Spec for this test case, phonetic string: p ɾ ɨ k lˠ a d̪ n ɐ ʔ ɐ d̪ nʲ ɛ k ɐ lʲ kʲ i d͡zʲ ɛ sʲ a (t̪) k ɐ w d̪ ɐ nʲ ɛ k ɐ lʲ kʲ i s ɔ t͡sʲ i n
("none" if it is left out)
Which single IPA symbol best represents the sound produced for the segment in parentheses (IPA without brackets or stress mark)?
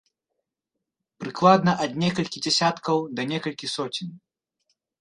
t̪